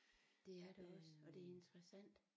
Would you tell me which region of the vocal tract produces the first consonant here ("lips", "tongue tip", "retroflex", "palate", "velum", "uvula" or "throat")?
tongue tip